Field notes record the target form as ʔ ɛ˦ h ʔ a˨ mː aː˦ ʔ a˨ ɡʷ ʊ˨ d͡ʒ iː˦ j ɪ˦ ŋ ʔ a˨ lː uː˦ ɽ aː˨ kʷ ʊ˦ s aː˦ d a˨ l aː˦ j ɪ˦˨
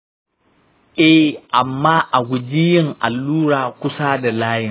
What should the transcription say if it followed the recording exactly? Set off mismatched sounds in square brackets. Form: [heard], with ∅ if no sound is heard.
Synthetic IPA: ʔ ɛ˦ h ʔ a˨ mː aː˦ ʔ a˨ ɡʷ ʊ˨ d͡ʒ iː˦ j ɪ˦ ŋ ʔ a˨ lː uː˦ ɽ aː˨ kʷ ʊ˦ s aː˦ d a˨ l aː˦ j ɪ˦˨